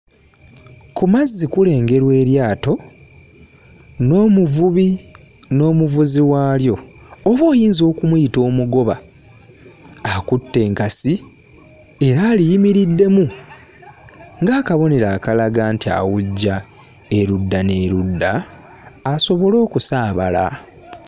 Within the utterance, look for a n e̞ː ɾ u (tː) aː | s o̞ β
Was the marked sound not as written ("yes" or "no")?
yes